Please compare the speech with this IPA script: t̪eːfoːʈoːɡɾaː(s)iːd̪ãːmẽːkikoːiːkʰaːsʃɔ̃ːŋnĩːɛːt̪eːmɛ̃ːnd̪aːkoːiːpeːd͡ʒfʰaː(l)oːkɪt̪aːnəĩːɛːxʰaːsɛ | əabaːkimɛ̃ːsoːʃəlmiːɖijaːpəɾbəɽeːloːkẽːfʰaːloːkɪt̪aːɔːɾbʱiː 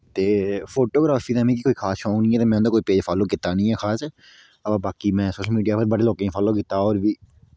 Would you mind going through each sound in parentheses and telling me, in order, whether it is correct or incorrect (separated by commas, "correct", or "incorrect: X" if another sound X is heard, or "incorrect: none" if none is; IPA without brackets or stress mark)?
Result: incorrect: f, correct